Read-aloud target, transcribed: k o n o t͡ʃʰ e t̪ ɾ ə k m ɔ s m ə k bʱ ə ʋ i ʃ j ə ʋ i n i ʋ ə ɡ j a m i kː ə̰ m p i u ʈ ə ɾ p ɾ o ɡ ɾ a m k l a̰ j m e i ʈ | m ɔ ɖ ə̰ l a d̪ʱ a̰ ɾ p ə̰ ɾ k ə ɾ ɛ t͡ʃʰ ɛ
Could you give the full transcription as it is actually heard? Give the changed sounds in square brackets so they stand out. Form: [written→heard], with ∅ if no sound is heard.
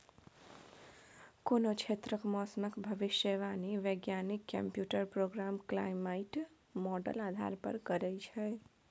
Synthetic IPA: k o n o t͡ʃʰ e t̪ ɾ ə k m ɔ s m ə k bʱ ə ʋ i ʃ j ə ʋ [i→a] n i ʋ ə ɡ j a [m→n] i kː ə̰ m p [i→j] u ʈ ə ɾ p ɾ o ɡ ɾ a m k l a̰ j m [e→a] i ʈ | m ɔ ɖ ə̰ l a d̪ʱ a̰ ɾ p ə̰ ɾ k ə ɾ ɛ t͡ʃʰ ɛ